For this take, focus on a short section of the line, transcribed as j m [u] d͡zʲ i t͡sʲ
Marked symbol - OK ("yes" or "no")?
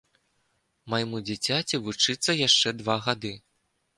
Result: yes